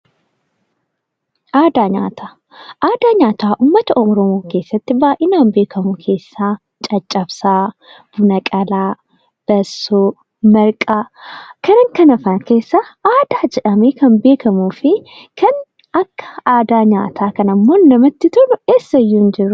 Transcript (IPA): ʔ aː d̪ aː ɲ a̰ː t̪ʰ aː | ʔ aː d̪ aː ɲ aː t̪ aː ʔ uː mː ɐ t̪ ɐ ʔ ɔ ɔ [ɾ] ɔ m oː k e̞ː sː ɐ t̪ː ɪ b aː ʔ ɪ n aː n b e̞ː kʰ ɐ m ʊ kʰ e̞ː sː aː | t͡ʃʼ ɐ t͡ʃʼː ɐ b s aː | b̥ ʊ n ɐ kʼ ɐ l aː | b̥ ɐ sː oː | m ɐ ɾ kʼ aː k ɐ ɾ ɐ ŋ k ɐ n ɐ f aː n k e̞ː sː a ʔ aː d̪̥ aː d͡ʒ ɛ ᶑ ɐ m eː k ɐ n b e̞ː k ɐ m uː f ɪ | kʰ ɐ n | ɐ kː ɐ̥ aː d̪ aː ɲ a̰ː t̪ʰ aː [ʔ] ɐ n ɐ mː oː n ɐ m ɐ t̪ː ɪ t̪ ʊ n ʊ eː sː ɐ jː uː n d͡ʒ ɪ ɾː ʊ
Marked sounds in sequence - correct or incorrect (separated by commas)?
correct, incorrect